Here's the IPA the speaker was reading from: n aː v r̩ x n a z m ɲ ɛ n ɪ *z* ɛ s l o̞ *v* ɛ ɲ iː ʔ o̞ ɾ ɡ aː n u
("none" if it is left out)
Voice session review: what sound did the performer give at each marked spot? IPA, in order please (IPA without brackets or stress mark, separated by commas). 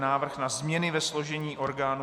v, ʒ